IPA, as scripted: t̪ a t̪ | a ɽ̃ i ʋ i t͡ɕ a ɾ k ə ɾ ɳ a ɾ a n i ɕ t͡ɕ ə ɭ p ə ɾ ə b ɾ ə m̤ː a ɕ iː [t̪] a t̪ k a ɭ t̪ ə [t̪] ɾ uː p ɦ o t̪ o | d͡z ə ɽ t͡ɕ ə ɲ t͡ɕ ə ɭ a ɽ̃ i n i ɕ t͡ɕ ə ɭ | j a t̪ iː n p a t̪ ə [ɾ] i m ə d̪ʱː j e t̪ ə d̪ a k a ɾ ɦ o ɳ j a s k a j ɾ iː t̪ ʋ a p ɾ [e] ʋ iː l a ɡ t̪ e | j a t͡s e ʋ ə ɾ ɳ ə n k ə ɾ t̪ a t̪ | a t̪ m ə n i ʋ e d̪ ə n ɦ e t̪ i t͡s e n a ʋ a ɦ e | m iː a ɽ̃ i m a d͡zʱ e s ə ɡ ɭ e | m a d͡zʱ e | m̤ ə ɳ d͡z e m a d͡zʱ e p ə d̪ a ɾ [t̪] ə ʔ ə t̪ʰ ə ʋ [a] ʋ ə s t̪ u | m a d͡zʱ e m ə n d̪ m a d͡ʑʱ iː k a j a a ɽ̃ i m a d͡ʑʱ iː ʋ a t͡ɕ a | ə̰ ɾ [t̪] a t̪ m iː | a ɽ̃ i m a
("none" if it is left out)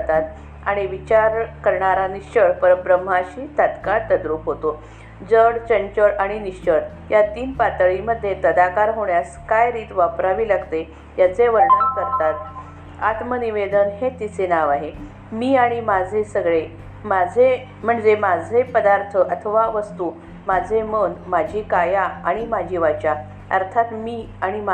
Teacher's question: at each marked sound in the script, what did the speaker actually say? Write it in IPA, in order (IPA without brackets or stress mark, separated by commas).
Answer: t̪, d̪, ɭ, a, t̪ʰ, a, t̪ʰ